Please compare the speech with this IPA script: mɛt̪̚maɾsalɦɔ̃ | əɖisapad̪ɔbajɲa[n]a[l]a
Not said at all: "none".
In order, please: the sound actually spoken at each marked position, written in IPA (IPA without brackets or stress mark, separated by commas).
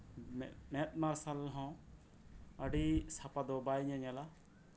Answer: ɲ, l